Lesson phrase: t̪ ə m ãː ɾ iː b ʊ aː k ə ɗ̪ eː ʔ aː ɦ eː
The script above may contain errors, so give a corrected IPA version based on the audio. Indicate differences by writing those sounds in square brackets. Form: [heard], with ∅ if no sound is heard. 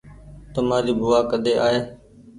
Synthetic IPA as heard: t̪ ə m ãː ɾ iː b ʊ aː k ə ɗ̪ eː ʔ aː ɦ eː